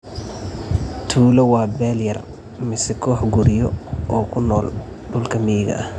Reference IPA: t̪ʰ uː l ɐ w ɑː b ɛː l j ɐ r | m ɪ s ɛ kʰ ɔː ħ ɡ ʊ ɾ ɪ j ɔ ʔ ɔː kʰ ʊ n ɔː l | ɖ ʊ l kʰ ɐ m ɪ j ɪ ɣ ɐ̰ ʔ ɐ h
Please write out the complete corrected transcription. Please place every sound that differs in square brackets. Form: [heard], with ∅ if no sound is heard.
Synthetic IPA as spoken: t̪ʰ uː l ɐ w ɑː b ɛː l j ɐ r | m ɪ s ɛ kʰ ɔː ħ ɡ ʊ ɾ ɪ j ɔ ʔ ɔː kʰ ʊ n ɔː l | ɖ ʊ l kʰ ɐ m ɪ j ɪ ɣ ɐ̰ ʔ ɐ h